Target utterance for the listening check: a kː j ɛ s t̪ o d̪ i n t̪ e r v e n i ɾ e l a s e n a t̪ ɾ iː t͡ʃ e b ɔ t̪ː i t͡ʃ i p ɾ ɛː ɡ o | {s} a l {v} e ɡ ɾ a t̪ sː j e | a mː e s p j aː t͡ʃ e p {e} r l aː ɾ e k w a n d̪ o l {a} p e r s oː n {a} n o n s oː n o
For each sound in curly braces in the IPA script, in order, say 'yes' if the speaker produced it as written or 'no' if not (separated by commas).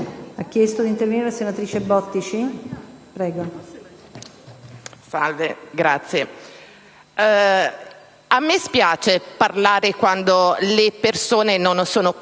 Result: yes, yes, no, no, no